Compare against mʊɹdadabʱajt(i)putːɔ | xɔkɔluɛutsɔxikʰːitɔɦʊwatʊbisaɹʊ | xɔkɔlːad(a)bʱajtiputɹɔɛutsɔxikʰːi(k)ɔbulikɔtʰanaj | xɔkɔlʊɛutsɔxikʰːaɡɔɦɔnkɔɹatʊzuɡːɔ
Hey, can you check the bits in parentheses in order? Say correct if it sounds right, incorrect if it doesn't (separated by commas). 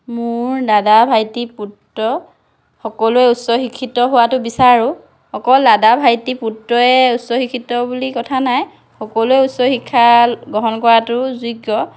correct, correct, incorrect